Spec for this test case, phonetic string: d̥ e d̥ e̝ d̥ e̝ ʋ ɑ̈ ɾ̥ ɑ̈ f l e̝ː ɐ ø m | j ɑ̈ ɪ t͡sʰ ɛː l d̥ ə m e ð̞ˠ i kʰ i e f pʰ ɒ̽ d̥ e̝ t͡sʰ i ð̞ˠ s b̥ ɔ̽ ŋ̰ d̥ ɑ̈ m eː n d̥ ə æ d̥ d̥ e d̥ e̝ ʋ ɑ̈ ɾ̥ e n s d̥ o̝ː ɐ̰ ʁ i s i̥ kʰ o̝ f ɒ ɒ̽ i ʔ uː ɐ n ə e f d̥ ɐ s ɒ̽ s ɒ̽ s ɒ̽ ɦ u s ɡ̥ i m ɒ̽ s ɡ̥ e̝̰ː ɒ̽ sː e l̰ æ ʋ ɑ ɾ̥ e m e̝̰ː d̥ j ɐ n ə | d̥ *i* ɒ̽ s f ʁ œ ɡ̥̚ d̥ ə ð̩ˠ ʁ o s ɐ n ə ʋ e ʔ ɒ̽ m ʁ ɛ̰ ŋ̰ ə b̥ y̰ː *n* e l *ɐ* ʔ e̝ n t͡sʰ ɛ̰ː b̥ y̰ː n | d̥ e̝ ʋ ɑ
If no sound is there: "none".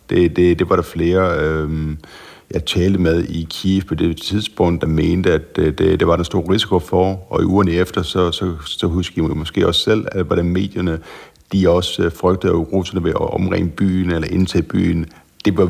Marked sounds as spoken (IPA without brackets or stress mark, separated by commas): i, n, ɐ